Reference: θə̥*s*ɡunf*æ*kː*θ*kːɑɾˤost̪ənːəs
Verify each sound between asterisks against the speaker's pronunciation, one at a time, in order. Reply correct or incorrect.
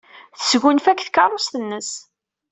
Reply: correct, correct, correct

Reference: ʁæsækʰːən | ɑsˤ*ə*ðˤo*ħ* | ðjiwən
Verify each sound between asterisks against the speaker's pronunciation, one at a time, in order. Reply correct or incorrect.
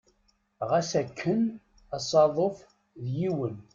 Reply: incorrect: ɑ, incorrect: f

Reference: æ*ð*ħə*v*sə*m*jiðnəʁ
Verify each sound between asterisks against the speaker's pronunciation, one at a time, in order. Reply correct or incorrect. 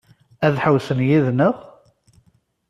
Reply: correct, incorrect: w, incorrect: n

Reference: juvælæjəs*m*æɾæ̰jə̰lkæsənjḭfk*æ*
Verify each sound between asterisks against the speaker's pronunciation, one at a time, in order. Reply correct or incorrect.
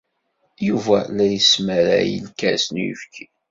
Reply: correct, incorrect: i

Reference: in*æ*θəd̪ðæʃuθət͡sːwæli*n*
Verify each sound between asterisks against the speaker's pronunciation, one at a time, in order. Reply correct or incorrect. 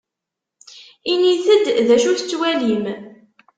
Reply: incorrect: i, incorrect: m

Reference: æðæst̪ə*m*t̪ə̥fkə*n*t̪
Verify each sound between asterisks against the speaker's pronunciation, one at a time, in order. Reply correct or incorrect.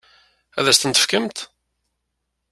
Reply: incorrect: n, incorrect: m

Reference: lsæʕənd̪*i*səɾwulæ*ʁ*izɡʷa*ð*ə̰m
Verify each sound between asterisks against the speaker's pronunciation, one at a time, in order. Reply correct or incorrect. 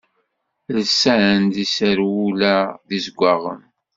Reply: correct, incorrect: ð, incorrect: ʁ

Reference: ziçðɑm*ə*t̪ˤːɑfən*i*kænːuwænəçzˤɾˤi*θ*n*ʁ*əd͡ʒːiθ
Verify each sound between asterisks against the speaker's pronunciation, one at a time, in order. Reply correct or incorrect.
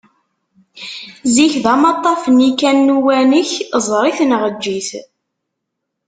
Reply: incorrect: ɑ, correct, correct, correct

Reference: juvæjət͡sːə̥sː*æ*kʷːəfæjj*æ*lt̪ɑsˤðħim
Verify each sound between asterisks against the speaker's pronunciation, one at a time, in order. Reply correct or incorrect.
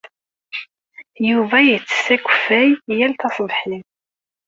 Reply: correct, correct

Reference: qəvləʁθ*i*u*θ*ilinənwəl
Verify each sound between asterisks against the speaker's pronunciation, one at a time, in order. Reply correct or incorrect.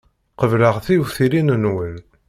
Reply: correct, correct

